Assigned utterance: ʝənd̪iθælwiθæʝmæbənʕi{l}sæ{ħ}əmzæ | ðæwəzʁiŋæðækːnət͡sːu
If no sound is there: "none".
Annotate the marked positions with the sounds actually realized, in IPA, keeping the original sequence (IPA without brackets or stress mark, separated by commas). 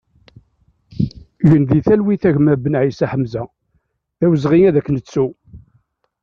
none, ħ